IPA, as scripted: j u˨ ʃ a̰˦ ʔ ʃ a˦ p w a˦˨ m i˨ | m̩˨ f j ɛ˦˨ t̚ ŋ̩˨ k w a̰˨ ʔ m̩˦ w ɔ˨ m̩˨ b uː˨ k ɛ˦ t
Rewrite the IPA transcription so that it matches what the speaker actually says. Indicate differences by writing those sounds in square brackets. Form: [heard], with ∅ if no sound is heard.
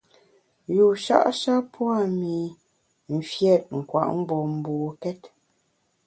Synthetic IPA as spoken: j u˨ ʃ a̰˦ ʔ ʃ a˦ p w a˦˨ m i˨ | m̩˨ f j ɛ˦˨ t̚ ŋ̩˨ k w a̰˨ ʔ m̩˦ [b] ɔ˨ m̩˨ b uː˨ k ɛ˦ t